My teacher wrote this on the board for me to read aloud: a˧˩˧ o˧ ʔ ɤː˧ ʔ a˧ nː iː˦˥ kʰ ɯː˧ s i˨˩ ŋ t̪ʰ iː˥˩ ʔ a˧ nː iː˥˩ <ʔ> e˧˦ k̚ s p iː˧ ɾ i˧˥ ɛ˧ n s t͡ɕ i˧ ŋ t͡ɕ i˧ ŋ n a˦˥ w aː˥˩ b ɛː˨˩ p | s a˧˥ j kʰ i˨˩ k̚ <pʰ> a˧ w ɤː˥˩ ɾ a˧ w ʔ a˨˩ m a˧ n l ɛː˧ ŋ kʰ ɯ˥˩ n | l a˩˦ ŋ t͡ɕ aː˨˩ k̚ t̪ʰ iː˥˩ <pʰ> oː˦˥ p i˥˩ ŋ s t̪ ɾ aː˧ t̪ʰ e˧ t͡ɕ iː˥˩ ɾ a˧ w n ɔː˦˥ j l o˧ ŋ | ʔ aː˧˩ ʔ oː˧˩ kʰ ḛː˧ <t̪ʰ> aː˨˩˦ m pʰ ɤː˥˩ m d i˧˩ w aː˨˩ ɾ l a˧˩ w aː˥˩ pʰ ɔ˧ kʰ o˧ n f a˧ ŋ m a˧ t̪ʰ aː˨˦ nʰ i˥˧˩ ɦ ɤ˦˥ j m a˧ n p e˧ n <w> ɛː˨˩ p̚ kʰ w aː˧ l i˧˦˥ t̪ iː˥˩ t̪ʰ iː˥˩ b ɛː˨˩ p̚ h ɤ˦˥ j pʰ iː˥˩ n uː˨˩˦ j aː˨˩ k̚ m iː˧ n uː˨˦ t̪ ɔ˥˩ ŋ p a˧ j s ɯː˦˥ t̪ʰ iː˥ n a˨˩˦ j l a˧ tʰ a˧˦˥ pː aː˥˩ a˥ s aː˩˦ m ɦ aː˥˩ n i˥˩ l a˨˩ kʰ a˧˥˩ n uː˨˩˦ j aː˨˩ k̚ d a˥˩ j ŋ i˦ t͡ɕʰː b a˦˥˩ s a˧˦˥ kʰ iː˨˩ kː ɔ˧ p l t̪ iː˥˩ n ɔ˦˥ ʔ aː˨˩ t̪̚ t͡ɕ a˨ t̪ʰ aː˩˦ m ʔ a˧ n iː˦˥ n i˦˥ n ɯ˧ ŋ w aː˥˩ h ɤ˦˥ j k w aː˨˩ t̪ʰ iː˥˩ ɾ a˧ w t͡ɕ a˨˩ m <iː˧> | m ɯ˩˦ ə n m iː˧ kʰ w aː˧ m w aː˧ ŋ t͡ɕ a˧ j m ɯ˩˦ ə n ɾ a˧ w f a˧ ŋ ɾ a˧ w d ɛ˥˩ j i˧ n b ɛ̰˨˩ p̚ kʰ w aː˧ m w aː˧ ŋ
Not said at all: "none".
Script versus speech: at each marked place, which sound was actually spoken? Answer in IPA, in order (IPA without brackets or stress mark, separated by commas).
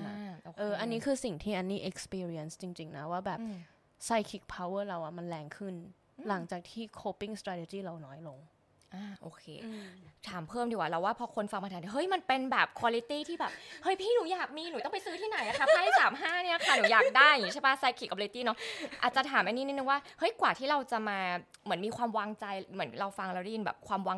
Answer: ʔ, pʰ, kʰ, t̪ʰ, b, aː˧